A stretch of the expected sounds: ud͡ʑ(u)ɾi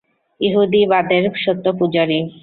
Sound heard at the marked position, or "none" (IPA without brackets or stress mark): o